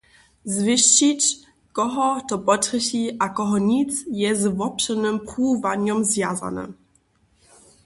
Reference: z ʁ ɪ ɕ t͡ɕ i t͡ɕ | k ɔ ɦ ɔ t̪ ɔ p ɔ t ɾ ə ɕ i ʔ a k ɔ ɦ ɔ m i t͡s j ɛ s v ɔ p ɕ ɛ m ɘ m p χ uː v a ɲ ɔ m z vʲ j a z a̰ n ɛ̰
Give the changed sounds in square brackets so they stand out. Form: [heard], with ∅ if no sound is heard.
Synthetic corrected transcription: z [v] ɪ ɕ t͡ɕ i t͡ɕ | k ɔ ɦ ɔ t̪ ɔ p ɔ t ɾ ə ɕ i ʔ a k ɔ ɦ ɔ [ɲ] i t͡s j ɛ [z] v ɔ p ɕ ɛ [n] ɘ m p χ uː v a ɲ ɔ m z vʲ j a z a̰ n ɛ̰